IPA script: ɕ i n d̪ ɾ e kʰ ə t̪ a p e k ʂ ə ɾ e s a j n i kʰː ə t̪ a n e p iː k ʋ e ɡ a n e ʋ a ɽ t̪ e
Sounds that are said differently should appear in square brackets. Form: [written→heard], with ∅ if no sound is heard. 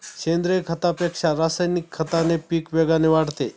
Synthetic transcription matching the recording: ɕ [i→e] n d̪ ɾ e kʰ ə t̪ a p e k ʂ [ə→a] ɾ [e→a] s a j n i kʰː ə t̪ a n e p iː k ʋ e ɡ a n e ʋ a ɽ t̪ e